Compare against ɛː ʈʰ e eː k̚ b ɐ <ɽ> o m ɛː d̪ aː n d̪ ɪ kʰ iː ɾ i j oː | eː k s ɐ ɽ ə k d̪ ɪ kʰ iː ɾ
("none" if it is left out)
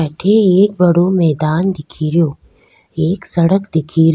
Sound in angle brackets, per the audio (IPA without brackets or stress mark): ɽ